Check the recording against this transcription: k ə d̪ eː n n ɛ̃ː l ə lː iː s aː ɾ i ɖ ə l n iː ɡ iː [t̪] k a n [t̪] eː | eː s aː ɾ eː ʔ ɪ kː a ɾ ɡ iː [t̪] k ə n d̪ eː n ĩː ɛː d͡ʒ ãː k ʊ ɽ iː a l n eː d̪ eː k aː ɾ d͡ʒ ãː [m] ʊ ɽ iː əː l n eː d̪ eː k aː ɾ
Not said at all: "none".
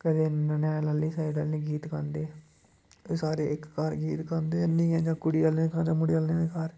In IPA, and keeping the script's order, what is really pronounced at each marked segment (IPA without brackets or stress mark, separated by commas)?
t̪, d̪, t̪, m